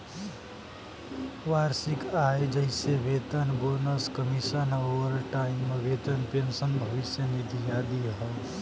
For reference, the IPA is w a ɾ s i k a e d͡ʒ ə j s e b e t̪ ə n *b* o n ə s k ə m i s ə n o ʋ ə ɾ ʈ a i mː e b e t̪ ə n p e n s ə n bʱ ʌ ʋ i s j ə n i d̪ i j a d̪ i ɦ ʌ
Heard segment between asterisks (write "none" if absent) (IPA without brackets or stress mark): b